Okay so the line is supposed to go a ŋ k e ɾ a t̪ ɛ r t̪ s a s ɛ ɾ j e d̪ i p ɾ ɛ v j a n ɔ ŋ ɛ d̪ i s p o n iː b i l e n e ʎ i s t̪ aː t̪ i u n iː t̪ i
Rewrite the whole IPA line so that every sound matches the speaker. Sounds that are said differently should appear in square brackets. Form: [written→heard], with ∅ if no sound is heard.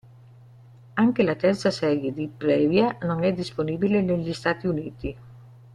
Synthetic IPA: a ŋ k e [ɾ→l] a t̪ ɛ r t̪ s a s ɛ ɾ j e d̪ i p ɾ ɛ v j a n [ɔ→o] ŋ ɛ d̪ i s p o n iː b i l e n e ʎ i s t̪ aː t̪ i u n iː t̪ i